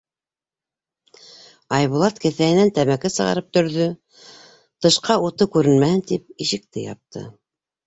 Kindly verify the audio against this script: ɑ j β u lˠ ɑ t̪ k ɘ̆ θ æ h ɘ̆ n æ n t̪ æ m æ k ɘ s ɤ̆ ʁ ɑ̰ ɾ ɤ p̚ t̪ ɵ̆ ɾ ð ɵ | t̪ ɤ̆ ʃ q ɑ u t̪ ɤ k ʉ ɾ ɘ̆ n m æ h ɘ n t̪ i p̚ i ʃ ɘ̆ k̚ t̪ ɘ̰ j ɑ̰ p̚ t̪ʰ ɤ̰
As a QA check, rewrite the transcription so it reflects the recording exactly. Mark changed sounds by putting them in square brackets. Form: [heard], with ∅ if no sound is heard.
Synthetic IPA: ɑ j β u lˠ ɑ t̪ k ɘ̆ θ æ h ɘ̆ n æ n t̪ æ m æ k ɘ s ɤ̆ ʁ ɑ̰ ɾ ɤ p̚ t̪ ɵ̆ ɾ ð ɵ | t̪ ɤ̆ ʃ q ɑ u t̪ ɤ k ʉ ɾ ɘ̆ n m æ h ɘ n t̪ i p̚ i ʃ ɘ̆ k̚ t̪ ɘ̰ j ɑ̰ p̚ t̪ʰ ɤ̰